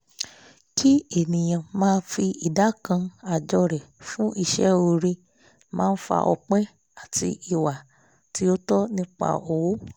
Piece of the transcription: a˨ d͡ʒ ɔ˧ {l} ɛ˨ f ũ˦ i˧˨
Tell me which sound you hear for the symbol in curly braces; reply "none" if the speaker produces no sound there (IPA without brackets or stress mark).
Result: ɾ